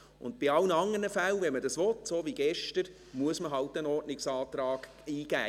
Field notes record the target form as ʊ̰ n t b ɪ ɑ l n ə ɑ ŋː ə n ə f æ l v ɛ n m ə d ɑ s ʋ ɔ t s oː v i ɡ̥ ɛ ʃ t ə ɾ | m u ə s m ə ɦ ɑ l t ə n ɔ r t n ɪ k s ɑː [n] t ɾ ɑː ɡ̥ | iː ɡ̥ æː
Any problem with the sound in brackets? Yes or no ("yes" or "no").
yes